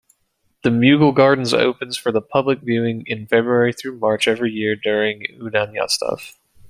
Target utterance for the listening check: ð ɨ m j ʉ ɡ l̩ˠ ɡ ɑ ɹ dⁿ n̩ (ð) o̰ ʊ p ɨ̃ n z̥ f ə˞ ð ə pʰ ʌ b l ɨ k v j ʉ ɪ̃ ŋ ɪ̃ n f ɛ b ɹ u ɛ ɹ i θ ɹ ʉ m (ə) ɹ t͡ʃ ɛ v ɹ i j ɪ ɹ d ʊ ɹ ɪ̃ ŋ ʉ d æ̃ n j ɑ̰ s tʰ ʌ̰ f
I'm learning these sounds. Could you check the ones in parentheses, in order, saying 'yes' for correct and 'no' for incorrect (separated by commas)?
no, no